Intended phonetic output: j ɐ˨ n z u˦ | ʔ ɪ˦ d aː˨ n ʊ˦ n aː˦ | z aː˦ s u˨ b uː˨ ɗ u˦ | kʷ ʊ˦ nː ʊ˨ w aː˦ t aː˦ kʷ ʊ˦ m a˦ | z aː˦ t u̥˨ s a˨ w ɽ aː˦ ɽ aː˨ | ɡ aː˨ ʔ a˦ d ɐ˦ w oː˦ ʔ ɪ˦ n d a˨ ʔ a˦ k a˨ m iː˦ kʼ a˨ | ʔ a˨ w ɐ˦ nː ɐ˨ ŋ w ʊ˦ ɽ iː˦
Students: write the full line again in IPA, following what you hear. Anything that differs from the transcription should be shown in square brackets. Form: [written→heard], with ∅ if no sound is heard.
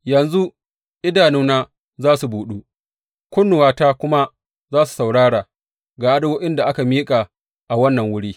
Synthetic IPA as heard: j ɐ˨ n z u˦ | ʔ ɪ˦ d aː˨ n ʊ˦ n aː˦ | z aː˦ s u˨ b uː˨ ɗ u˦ | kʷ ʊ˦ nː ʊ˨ w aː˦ t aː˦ kʷ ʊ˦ m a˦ | z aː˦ [t→s] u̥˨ s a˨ w ɽ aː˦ ɽ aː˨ | ɡ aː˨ ʔ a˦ d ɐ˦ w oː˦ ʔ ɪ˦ n d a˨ ʔ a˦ k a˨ m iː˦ kʼ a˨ | ʔ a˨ w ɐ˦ nː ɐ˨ ŋ w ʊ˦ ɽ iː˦